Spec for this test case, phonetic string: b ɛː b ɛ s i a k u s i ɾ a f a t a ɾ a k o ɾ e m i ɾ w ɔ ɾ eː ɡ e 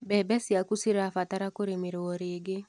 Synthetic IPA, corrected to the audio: b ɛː b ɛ s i a k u s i ɾ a f a t a ɾ a k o ɾ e m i ɾ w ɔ ɾ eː ɡ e

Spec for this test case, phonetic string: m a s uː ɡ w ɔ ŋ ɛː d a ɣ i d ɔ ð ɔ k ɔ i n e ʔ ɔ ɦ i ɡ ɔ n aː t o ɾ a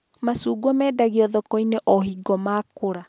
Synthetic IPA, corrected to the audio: m a s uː ɡ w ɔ m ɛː d a ɣ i ɔ ð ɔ k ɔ i n e ʔ ɔ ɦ i ɡ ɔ m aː k o ɾ a

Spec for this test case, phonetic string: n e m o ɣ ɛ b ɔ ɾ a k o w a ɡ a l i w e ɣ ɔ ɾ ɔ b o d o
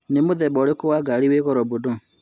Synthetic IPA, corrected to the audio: n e m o ð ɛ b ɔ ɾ e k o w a ɡ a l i w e ɣ ɔ ɾ ɔ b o d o

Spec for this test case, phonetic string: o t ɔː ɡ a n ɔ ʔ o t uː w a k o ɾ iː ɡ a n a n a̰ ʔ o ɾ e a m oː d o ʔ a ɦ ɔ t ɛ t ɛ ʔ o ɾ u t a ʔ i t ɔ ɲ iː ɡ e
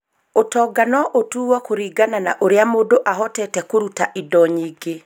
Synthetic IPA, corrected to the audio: o t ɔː ɡ a n ɔ ʔ o t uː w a k o ɾ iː ɡ a n a n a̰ ʔ o ɾ e a m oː d o ʔ a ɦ ɔ t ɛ t ɛ k o ɾ u t a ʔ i d ɔ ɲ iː ɡ e

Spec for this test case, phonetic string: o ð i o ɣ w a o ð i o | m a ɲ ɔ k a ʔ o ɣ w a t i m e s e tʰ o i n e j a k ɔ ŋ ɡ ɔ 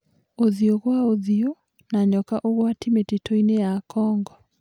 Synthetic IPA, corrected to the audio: o ð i o ɣ w a o ð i o | n a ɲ ɔ k a ʔ o ɣ w a t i m e t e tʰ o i n e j a k ɔ ŋ ɡ ɔ

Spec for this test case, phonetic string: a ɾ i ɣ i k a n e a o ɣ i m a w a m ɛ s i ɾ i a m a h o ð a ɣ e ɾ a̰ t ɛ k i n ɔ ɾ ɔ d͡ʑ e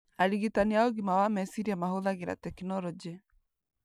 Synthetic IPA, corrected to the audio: a ɾ i ɣ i t a n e a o ɣ i m a w a m ɛ s i ɾ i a m a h o ð a ɣ e ɾ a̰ t ɛ k i n ɔ ɾ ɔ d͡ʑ e

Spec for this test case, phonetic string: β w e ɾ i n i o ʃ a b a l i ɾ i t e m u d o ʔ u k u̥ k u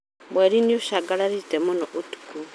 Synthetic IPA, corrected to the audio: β w e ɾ i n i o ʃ a ɡ a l a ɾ i t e m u n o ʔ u t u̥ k u

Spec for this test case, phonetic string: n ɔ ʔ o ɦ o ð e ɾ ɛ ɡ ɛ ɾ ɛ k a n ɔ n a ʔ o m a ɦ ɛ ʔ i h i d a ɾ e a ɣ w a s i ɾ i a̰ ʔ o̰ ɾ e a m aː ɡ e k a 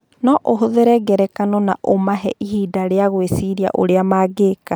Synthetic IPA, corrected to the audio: n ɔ ʔ o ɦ o ð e ɾ ɛ ɡ ɛ ɾ ɛ k a n ɔ n a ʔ o m a ɦ ɛ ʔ i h i d a ɾ e a ɣ w e s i ɾ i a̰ ʔ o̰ ɾ e a m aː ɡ e k a

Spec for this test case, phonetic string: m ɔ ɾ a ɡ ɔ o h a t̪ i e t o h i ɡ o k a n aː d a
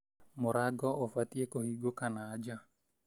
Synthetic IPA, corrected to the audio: m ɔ ɾ a ɡ ɔ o f a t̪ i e k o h i ɡ o k a n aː d͡ʒ a

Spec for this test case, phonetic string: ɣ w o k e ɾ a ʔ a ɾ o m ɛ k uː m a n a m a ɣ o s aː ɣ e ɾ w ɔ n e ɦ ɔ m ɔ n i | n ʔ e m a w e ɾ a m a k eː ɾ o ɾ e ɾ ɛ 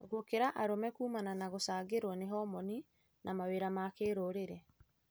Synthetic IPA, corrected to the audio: ɣ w o k e ɾ a ʔ a ɾ o m ɛ k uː m a n a n a ɣ o s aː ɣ e ɾ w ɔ n e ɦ ɔ m ɔ n i | n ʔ a m a w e ɾ a m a k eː ɾ o ɾ e ɾ ɛ

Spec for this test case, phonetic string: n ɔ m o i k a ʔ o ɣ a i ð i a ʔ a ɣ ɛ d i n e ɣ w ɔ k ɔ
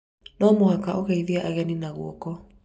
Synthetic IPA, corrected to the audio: n ɔ m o a k a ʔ o ɣ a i ð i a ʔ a ɣ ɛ n i n a ɣ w ɔ k ɔ

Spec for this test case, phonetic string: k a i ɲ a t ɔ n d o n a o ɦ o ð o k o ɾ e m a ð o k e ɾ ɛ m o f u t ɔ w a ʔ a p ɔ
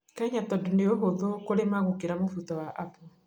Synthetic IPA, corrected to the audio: k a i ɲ a t ɔ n d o n e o ɦ o ð o k o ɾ e m a ɣ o k e ɾ a m o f u t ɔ w a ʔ a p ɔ

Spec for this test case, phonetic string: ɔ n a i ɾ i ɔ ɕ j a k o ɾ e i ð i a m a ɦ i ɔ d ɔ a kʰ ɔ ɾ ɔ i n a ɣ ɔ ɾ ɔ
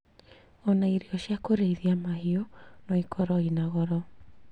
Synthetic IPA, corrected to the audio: ɔ n a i ɾ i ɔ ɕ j a k o ɾ e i ð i a m a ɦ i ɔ n ɔ i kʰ ɔ ɾ ɔ i n a ɣ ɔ ɾ ɔ

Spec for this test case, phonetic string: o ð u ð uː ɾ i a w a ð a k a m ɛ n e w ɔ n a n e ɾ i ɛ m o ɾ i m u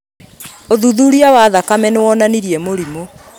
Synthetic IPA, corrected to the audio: o ð u ð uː ɾ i a w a ð a k a m ɛ n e w ɔ n a n i ɾ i ɛ m o ɾ i m o

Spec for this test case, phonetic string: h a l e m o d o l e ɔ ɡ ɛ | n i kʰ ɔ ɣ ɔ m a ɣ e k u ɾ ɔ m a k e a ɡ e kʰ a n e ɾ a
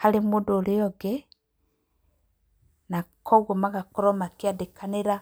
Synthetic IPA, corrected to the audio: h a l e m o d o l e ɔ ɡ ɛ | n a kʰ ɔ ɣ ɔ m a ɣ a k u ɾ ɔ m a k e a d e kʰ a n e ɾ a

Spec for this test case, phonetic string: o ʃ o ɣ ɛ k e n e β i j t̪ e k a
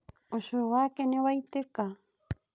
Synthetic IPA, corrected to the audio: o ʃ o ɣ a k e n e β a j t̪ e k a

